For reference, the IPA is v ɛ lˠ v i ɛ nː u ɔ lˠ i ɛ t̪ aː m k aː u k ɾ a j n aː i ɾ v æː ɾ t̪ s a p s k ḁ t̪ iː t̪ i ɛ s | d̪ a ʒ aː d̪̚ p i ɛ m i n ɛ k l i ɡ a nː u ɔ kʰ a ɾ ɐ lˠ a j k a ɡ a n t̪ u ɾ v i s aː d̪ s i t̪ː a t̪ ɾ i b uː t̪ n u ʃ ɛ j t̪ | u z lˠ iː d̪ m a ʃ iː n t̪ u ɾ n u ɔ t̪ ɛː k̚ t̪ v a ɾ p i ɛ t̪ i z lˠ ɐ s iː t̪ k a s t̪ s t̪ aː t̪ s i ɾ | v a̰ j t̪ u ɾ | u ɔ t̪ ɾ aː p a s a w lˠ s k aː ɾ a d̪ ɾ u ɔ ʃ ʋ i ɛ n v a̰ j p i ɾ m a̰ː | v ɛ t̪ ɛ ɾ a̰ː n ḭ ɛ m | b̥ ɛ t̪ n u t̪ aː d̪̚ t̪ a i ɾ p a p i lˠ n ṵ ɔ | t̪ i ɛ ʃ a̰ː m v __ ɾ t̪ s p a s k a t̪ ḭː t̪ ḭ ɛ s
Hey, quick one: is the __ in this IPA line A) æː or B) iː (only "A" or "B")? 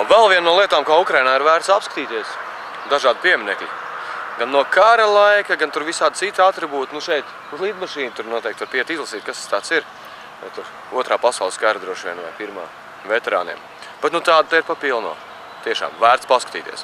A